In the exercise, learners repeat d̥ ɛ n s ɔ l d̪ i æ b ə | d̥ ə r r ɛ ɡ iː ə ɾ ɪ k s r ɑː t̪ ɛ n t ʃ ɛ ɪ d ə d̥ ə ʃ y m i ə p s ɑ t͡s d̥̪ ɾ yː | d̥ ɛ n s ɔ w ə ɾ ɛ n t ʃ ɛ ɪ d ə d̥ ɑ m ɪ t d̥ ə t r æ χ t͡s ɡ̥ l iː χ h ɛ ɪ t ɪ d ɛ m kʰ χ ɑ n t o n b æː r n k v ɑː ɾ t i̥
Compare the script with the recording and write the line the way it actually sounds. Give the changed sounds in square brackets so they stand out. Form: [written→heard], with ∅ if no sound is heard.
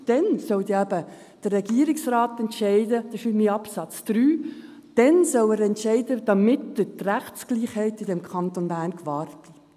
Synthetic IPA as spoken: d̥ ɛ n s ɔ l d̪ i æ b ə | d̥ ə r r ɛ ɡ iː ə ɾ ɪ k s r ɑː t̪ ɛ n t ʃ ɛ ɪ d ə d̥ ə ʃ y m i [ə→ɑ] p s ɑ t͡s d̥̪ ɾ yː | d̥ ɛ n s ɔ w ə ɾ ɛ n t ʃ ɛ ɪ d ə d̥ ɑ m ɪ t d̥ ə t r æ χ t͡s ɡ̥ l iː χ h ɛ ɪ t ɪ d ɛ m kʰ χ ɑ n t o n b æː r n k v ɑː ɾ t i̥

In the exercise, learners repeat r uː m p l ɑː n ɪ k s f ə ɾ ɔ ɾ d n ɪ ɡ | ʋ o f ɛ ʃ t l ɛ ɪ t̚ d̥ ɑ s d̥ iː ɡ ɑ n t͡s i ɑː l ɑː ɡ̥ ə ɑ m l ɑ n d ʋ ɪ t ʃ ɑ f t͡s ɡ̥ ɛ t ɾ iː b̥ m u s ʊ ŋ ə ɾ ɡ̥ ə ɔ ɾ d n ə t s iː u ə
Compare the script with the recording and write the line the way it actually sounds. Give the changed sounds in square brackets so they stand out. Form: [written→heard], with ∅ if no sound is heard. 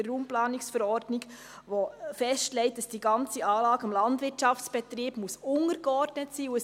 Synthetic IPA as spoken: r uː m p l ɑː n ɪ k s f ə ɾ ɔ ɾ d n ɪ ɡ | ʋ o f ɛ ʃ t l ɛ ɪ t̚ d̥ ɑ s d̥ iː ɡ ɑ n t͡s i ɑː l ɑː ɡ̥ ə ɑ m l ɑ n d ʋ ɪ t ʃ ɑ f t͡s [ɡ̥→b̥] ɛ t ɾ iː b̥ m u s ʊ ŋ ə ɾ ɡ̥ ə ɔ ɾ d n ə t s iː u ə

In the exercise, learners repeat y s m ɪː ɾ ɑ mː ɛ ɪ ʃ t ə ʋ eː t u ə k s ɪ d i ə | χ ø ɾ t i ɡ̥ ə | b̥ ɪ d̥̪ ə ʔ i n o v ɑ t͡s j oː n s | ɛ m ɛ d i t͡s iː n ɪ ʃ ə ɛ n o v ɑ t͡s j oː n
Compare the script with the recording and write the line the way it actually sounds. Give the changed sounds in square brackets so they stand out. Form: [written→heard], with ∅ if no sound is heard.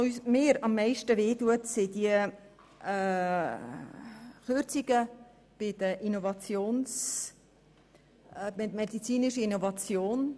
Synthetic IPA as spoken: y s m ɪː ɾ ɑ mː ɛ ɪ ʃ t ə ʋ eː t u ə [k→t] s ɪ d i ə | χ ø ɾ [t→t͡s] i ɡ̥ ə | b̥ ɪ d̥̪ ə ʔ i n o v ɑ t͡s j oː n s | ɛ m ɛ d i t͡s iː n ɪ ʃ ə [ɛ→i] n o v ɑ t͡s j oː n

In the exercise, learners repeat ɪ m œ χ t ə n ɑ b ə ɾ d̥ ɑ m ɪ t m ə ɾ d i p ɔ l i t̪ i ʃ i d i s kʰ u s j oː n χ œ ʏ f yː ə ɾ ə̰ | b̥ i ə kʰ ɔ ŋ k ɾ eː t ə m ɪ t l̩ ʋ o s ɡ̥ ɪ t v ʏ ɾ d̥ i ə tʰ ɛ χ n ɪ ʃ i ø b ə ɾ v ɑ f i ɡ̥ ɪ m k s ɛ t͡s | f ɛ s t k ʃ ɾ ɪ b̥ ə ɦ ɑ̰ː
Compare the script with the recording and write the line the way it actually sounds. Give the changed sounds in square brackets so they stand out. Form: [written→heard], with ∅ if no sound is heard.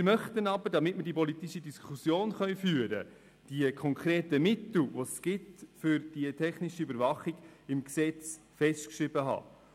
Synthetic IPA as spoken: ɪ m œ χ t ə n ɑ b ə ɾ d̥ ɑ m ɪ t m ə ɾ d i p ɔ l i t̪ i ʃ i d i s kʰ u s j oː n χ œ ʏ f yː ə ɾ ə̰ | [b̥→d̥] i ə kʰ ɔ ŋ k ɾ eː t ə m ɪ t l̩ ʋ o s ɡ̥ ɪ t [v→f] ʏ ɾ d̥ i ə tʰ ɛ χ n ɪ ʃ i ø b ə ɾ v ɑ [f→χ] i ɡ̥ ɪ m k s ɛ t͡s | f ɛ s t k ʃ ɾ ɪ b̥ ə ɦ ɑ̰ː

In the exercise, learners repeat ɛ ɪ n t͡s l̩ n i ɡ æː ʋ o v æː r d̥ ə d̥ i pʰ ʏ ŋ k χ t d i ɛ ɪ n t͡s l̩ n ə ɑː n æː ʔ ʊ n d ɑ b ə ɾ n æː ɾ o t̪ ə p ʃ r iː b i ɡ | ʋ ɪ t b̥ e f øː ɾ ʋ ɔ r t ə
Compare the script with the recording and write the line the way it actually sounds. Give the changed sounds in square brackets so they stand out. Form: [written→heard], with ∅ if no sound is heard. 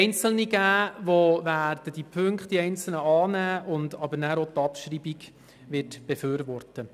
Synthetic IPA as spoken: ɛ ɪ n t͡s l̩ n i ɡ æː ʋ o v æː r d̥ ə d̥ i pʰ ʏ ŋ k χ t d i ɛ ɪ n t͡s l̩ n ə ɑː n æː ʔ ʊ n d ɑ b ə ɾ n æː ɾ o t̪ [ə→ɑ] p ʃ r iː b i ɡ | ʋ ɪ t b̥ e f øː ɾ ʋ ɔ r t ə

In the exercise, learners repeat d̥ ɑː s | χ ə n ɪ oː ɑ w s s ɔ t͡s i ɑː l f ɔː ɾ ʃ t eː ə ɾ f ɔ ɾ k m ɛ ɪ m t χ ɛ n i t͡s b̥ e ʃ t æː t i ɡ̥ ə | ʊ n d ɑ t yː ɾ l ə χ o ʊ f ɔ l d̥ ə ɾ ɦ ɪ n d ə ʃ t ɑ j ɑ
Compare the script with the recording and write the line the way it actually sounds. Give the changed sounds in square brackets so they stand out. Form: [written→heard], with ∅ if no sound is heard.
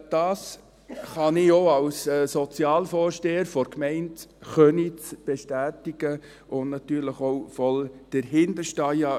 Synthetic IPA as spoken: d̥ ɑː s | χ [ə→ɑ] n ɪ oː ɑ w s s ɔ t͡s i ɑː l f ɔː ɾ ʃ t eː ə ɾ f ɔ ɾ k m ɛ ɪ [m→n] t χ [ɛ→œ] n i t͡s b̥ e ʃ t æː t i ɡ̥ ə | ʊ n [d→n] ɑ t yː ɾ l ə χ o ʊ f ɔ l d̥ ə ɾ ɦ ɪ n d ə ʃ t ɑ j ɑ

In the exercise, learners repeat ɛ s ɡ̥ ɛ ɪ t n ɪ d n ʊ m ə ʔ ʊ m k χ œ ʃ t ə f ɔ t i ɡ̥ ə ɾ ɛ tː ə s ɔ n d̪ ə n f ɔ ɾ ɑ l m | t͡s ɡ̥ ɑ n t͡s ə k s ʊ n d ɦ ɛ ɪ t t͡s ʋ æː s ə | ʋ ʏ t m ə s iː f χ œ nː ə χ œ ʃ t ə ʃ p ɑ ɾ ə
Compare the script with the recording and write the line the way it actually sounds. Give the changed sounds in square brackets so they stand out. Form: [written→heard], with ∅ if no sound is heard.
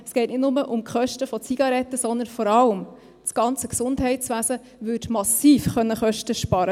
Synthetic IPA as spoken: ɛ s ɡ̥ ɛ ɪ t n ɪ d n ʊ m ə ʔ ʊ m k χ œ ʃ t ə f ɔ [t→t͡s] i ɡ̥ [ə→ɑ] ɾ ɛ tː ə s ɔ n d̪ ə n f ɔ ɾ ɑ l m | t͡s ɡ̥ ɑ n t͡s ə k s ʊ n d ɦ ɛ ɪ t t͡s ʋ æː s ə | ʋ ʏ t m [ə→ɑ] s iː f χ œ nː ə χ œ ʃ t ə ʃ p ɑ ɾ ə

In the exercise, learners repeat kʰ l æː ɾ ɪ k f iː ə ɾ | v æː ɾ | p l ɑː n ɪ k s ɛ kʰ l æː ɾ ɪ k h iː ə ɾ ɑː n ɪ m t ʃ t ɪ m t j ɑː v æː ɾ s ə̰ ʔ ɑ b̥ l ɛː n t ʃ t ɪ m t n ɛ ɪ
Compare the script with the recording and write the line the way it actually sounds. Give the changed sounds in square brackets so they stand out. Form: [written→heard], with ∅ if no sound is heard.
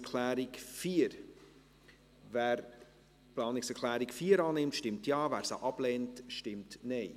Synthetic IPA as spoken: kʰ l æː ɾ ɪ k f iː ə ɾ | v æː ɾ | p l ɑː n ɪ k s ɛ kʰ l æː ɾ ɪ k [h→f] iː ə ɾ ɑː n ɪ m t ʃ t ɪ m t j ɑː v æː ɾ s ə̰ ʔ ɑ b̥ l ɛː n t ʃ t ɪ m t n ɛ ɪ

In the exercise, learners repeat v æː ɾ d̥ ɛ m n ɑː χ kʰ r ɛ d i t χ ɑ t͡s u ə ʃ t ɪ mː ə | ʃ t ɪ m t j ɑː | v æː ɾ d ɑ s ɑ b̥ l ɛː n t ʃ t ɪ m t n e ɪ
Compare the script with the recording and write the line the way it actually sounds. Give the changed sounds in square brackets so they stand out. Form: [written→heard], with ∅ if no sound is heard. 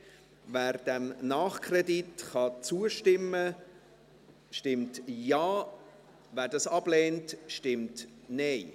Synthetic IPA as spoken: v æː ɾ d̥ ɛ m n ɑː χ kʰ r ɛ d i t χ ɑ t͡s u ə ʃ t ɪ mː ə | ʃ t ɪ m t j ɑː | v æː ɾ d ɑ s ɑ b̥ l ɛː n t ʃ t ɪ m t n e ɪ

